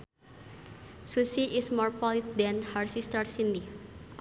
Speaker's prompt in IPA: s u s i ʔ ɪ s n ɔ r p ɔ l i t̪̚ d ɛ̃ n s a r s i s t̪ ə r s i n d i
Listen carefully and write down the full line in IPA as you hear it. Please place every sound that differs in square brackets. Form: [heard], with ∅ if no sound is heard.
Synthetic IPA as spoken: s u s i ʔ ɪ s [m] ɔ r p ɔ l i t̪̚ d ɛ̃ n [h] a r s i s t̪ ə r s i n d i